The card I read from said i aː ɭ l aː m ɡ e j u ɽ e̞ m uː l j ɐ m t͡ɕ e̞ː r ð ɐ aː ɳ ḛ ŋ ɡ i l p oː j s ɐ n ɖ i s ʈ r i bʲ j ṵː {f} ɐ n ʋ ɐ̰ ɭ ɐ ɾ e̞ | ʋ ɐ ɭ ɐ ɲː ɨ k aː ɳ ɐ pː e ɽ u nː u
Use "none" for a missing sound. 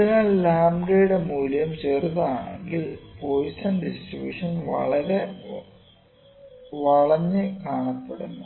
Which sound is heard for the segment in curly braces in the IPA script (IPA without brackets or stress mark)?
ʂ